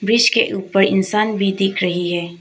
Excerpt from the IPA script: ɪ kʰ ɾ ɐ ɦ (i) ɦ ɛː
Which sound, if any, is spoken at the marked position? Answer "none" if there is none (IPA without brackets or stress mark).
i